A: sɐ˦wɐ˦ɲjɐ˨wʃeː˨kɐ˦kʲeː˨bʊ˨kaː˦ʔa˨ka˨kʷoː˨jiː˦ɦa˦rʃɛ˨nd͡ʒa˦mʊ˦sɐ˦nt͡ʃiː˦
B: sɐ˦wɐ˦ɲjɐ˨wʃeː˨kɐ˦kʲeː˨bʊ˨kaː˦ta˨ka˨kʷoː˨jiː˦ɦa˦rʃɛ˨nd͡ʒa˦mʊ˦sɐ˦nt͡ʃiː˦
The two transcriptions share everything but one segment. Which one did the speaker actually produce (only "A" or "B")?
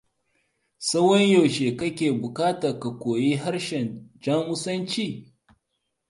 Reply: B